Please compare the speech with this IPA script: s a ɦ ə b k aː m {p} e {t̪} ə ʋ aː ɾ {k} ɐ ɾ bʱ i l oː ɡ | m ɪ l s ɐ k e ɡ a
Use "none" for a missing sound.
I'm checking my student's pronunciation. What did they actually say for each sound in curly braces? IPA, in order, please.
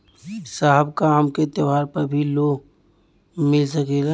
k, t̪, p

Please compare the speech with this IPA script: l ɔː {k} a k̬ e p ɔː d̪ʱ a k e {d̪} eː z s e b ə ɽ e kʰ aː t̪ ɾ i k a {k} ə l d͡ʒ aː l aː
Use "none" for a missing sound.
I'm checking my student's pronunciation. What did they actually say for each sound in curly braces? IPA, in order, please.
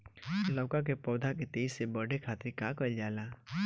k, t̪, k

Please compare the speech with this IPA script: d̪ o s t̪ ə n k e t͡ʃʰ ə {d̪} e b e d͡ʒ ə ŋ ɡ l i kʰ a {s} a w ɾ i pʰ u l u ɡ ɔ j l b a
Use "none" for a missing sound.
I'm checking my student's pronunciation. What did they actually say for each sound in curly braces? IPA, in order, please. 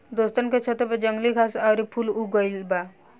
t̪, s

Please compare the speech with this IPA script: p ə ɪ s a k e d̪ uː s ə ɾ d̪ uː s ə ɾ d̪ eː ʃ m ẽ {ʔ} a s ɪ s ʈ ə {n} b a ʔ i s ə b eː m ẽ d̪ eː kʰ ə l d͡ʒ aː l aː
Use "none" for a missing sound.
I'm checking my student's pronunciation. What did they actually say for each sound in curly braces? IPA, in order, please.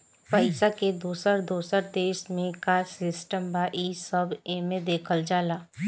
k, m

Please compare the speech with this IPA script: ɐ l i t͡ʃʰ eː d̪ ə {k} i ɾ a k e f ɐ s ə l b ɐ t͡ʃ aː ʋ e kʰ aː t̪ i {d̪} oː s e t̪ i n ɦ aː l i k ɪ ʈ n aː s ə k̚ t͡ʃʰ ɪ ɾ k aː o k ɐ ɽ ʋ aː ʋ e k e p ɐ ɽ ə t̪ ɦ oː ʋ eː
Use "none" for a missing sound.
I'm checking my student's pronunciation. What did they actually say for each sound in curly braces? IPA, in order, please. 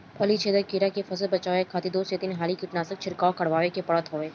k, d̪

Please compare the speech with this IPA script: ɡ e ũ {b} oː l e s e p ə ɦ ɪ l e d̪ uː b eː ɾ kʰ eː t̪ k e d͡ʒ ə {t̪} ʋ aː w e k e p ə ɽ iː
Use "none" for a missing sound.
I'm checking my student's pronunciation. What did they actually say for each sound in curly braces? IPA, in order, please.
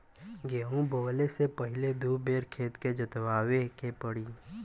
b, t̪

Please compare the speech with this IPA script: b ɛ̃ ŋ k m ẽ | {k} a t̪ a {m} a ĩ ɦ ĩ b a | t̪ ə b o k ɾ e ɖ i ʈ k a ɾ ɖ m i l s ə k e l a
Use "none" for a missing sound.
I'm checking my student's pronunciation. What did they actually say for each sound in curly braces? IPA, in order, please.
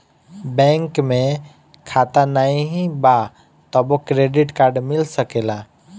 kʰ, n

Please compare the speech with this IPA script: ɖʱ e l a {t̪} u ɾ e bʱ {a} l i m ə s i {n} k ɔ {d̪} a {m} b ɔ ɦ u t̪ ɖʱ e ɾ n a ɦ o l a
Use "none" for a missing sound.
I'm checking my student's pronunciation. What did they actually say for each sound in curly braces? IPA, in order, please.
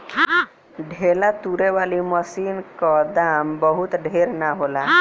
t̪, a, n, d̪, m

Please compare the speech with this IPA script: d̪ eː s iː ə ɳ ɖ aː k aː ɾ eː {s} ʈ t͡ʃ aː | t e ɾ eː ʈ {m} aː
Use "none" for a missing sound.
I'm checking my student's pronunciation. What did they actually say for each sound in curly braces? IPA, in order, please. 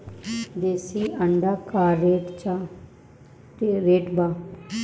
none, b

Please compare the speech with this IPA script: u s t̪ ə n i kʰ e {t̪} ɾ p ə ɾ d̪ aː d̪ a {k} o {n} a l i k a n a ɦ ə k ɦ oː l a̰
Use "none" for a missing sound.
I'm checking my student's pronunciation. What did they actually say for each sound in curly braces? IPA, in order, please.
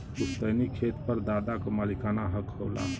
t̪, k, m

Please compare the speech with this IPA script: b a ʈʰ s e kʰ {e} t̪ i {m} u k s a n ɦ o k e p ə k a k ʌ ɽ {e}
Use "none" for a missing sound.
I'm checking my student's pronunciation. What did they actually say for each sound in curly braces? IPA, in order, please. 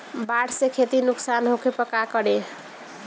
e, n, e

